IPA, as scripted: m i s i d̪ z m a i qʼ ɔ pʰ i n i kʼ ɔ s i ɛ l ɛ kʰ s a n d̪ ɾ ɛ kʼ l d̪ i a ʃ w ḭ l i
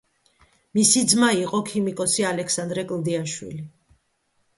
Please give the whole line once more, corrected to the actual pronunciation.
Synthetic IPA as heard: m i s i d̪ z m a i qʼ ɔ kʰ i m i kʼ ɔ s i a l ɛ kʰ s a n d̪ ɾ ɛ kʼ l d̪ i a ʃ w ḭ l i